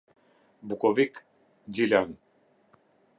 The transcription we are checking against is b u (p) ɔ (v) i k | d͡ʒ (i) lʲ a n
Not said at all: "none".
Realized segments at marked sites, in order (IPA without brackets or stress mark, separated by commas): k, v, i